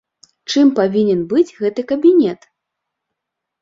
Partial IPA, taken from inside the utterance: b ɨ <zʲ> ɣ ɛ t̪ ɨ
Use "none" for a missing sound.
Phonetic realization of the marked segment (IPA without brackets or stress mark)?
d͡zʲ